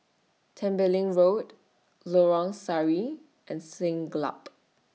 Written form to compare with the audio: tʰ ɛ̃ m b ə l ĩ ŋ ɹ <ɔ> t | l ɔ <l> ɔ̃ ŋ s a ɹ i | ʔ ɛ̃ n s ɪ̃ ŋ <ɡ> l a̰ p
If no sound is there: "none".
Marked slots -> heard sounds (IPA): o, ɹ, ɡ

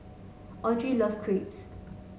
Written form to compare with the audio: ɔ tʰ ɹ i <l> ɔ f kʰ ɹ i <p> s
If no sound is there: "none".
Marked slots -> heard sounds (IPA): l, p

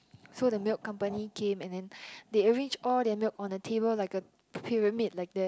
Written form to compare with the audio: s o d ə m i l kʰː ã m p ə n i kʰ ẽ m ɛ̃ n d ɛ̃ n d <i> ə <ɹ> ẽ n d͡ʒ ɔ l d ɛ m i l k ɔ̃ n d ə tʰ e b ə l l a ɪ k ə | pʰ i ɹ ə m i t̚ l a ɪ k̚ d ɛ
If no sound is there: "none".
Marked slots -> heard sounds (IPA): e, ɹ

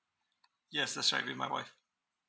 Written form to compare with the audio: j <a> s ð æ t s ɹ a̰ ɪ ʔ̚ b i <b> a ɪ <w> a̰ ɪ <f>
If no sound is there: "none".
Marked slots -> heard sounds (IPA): ɛ, m, w, f

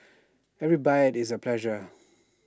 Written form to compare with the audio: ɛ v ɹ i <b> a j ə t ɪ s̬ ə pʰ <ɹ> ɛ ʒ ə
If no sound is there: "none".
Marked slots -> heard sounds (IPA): b, l

